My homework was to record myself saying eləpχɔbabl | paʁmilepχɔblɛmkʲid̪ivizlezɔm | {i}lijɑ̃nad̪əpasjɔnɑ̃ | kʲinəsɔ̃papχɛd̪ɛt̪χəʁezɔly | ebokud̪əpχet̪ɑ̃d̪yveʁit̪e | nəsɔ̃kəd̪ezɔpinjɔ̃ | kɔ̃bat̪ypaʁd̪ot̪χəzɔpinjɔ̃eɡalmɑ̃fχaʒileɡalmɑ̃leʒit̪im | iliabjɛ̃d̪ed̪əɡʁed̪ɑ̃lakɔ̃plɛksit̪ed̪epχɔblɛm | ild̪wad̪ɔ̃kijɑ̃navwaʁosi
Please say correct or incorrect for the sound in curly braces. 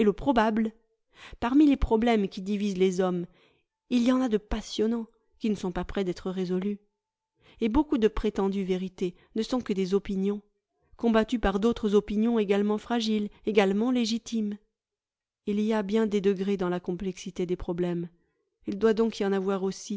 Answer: correct